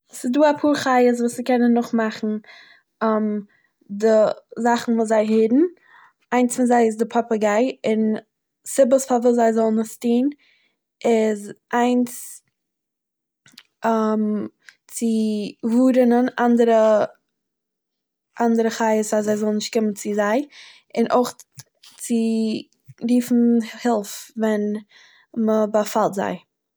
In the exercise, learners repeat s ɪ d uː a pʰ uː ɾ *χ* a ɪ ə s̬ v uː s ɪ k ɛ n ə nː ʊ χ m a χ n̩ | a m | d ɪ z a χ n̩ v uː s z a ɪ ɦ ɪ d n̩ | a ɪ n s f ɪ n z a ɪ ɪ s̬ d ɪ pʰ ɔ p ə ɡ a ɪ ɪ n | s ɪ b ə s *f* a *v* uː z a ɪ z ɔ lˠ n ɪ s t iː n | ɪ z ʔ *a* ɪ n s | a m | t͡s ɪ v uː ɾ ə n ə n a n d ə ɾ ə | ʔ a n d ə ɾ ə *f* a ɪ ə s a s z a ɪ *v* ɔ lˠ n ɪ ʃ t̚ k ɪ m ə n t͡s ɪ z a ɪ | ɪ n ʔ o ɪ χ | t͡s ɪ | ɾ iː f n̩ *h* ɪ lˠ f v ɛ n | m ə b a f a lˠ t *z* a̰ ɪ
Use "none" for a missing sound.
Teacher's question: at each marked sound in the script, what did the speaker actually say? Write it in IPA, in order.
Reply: χ, f, v, a, χ, z, h, z

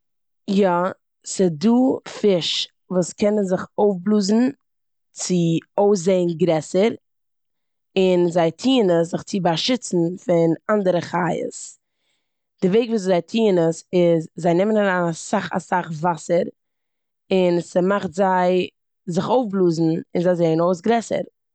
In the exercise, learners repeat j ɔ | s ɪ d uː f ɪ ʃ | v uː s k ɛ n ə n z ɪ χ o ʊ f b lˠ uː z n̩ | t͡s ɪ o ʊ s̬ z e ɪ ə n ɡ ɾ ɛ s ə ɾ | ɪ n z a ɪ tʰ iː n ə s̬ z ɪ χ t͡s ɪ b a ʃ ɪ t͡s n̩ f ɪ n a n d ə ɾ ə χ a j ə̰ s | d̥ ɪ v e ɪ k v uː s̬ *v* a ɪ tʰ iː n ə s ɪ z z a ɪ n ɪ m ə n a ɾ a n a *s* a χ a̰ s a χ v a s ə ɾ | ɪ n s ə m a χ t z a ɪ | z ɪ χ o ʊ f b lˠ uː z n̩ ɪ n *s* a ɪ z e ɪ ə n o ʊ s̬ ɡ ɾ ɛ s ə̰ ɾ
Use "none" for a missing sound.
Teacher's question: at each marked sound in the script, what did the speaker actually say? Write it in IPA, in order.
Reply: z, s, z

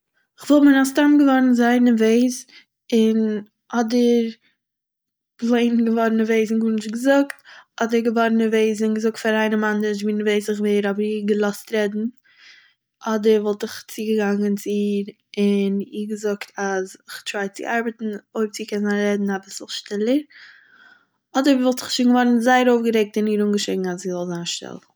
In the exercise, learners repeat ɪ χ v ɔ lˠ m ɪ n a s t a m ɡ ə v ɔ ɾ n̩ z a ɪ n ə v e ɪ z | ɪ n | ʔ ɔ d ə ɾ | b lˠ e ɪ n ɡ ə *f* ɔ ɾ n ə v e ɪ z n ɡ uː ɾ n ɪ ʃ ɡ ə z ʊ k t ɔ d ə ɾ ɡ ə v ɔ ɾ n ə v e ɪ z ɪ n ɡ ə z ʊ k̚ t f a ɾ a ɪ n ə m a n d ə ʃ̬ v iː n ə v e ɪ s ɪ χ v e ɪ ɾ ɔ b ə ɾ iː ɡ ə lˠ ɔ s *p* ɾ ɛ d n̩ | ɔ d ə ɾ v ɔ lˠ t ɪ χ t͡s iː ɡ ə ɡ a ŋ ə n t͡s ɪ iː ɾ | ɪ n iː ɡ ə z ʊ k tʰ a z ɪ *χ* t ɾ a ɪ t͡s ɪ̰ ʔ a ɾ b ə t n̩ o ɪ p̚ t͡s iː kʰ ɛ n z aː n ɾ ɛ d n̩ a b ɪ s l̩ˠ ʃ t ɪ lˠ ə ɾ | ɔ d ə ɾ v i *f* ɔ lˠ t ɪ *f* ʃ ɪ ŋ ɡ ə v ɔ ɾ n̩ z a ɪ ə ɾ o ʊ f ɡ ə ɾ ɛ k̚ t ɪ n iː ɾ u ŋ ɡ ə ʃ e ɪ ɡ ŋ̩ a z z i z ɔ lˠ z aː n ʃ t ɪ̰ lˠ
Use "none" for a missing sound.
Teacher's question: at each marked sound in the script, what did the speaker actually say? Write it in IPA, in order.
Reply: v, t, χ, v, χ

